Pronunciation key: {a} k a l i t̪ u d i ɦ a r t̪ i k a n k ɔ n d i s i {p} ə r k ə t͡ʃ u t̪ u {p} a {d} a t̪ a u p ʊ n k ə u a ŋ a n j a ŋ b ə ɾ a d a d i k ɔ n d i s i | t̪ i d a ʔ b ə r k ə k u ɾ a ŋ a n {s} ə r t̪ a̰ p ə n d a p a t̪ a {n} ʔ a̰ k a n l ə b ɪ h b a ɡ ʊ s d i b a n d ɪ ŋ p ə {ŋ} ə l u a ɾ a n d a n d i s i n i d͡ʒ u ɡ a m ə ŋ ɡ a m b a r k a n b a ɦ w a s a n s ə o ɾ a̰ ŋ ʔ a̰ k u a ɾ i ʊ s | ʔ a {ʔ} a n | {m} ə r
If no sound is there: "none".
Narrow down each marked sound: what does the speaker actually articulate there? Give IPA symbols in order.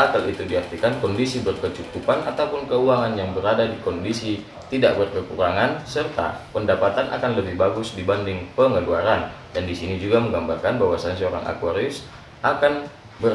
a, b, p, n, s, n, ŋ, k, b

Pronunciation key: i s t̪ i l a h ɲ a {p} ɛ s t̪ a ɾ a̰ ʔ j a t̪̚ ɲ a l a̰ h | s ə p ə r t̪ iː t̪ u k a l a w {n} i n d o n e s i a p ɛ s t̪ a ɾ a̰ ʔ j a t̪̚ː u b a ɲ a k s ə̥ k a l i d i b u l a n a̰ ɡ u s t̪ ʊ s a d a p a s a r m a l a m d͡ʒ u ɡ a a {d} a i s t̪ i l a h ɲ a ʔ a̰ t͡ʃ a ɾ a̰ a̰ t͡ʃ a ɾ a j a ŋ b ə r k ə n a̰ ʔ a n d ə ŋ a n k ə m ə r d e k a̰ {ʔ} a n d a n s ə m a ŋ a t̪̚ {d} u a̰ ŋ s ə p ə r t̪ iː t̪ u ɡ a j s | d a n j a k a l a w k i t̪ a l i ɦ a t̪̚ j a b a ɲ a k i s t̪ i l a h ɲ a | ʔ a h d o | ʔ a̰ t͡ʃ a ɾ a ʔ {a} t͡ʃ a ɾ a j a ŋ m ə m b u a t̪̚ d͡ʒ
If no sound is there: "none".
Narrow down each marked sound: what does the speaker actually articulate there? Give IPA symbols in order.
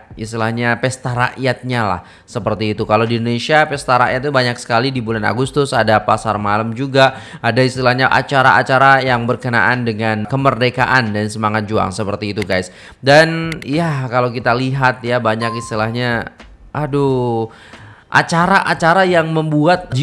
p, d, d, ʔ, d͡ʒ, a

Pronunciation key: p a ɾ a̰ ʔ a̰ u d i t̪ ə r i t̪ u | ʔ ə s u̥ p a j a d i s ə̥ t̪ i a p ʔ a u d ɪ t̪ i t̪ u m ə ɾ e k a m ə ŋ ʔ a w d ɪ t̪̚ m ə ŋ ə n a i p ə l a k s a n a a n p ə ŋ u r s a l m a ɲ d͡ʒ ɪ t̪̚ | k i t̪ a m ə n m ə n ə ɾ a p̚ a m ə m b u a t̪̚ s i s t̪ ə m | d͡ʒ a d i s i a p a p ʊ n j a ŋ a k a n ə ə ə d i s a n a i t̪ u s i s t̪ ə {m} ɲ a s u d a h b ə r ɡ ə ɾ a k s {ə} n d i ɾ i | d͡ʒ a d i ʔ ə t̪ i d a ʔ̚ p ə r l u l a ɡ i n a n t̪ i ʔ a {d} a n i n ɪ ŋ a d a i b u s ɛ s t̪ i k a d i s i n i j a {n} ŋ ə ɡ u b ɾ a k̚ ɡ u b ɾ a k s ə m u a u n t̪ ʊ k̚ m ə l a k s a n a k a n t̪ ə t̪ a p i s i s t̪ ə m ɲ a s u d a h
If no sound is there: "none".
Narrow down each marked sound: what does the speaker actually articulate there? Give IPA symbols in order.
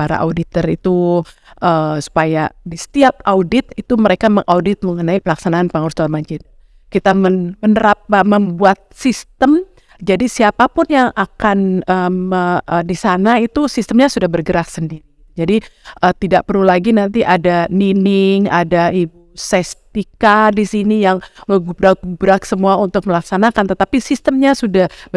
m, ə, d, ŋ

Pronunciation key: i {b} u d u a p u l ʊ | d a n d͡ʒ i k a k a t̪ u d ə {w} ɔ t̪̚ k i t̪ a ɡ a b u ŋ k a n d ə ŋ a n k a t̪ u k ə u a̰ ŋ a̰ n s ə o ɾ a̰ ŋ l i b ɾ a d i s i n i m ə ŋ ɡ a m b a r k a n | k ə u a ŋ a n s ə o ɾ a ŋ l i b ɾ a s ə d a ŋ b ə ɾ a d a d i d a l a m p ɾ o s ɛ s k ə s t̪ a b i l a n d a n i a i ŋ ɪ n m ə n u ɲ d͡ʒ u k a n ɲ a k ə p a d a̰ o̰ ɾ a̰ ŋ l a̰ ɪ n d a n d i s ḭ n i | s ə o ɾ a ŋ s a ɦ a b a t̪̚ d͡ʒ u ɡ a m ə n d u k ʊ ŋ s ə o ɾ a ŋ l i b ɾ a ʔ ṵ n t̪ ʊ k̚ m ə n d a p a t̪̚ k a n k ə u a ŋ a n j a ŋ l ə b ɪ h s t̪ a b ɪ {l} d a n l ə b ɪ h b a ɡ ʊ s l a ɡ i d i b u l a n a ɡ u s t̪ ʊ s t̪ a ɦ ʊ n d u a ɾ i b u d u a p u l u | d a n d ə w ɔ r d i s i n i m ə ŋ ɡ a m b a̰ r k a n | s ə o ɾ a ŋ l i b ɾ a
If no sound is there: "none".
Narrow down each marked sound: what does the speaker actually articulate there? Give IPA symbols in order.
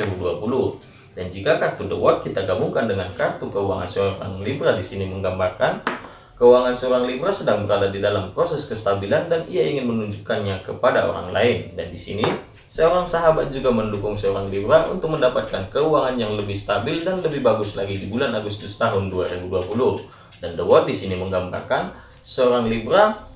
b, w, l

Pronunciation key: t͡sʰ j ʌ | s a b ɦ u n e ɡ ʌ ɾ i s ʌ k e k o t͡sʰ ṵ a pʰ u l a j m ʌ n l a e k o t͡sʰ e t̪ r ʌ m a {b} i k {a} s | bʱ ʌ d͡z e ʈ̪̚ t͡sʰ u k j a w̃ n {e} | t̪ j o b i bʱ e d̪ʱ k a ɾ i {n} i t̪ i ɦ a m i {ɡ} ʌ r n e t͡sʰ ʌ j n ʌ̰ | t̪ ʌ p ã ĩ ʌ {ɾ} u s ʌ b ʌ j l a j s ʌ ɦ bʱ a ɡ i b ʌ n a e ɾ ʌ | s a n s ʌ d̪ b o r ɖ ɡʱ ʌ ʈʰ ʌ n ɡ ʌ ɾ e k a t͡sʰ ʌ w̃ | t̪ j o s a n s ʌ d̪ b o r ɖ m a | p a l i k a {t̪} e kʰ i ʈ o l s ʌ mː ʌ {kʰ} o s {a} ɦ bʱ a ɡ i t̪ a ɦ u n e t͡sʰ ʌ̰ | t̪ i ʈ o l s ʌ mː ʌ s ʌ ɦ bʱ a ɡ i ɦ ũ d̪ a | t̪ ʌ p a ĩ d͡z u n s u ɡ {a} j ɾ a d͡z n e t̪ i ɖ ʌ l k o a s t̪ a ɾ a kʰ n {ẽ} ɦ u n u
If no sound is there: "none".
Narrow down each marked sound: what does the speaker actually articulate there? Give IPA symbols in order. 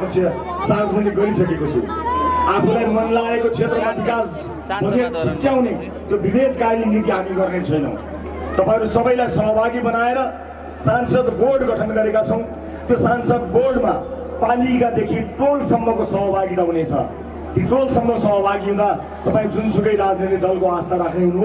b, a, e, n, ɡ, ɾ, d̪, k, ʌ, ʌ, e

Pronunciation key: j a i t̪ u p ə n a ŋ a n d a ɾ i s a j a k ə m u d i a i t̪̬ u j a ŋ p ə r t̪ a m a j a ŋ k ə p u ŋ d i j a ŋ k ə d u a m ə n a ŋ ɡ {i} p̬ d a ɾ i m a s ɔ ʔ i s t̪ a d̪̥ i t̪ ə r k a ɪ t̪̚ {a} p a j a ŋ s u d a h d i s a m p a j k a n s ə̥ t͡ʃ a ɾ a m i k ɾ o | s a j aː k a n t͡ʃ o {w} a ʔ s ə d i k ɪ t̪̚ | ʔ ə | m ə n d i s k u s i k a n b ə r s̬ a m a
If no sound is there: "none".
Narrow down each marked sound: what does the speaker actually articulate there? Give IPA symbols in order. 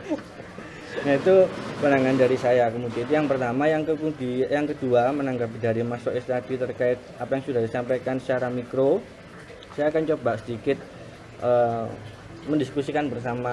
a, a, b

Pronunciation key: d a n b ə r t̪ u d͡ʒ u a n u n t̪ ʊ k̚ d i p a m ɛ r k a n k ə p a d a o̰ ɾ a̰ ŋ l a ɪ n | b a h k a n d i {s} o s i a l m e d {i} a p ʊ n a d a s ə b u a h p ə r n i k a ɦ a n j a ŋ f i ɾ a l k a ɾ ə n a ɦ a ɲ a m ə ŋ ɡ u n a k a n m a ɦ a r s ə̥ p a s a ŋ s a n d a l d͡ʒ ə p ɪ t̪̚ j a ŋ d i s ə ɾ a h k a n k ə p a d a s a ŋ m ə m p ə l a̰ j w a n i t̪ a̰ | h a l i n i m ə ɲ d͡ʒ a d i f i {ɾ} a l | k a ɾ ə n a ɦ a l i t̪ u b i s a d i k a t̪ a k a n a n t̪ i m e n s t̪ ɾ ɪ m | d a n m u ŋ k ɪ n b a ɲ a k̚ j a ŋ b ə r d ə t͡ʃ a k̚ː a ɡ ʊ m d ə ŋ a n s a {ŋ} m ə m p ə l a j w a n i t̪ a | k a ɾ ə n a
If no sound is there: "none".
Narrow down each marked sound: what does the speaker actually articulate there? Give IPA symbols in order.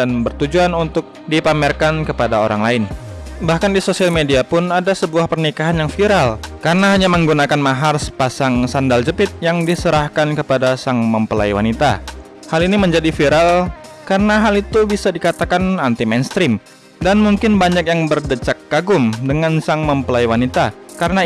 s, i, ɾ, ŋ

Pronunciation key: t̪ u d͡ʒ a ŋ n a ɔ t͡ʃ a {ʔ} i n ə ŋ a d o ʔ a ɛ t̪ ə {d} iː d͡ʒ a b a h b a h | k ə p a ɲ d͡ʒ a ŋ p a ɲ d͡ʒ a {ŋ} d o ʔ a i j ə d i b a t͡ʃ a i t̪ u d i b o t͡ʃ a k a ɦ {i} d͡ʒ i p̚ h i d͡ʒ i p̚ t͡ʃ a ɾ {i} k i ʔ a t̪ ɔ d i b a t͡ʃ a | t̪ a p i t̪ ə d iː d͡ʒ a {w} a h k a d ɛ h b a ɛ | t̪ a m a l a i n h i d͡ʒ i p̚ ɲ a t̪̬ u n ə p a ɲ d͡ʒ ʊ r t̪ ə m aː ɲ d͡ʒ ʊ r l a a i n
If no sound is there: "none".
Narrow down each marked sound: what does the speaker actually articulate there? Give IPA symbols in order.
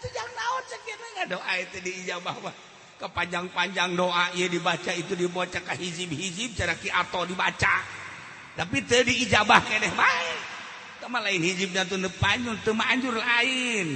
k, d, ŋ, i, a, b

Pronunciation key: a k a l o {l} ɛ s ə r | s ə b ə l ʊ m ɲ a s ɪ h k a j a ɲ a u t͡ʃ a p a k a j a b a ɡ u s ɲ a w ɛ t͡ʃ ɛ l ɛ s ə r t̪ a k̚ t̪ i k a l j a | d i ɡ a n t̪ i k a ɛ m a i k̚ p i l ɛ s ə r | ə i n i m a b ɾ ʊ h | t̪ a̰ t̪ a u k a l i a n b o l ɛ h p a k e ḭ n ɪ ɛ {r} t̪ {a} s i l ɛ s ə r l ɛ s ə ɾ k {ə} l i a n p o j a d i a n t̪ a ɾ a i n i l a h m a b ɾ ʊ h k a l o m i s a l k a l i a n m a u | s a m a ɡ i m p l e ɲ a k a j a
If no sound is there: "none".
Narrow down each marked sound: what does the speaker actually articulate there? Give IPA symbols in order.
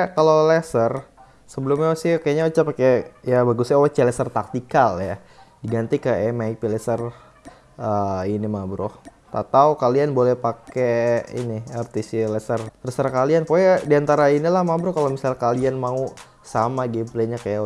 l, r, i, a

